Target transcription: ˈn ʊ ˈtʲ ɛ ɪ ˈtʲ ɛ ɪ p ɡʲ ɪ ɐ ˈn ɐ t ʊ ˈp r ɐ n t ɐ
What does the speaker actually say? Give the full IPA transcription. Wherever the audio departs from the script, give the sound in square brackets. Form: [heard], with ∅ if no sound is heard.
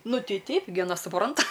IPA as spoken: ˈn ʊ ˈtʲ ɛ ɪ ˈtʲ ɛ ɪ p ɡʲ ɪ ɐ ˈn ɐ [s] ʊ ˈp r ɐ n t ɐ